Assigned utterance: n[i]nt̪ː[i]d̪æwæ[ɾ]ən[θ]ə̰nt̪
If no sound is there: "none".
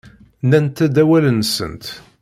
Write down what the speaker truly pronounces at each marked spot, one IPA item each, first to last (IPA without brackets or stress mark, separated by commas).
æ, æ, l, s